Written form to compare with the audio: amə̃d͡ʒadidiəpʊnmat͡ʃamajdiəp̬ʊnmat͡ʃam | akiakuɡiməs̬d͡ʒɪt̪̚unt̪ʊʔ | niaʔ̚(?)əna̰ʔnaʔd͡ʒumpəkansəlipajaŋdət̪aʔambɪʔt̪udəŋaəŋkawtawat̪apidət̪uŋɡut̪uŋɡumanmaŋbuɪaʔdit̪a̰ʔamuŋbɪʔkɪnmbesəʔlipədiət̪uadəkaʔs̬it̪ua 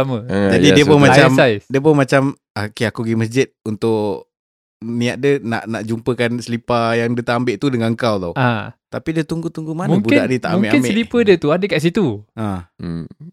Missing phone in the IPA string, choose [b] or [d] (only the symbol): d